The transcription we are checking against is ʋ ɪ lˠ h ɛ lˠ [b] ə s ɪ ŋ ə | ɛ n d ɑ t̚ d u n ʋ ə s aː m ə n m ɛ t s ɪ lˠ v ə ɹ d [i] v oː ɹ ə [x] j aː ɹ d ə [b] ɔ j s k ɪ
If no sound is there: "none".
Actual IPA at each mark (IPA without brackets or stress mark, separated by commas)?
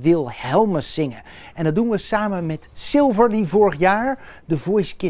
m, i, χ, v